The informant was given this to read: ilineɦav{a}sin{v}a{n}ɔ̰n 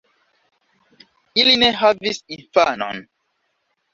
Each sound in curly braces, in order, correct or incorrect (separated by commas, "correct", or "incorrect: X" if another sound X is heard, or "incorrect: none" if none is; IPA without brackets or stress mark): incorrect: i, incorrect: f, correct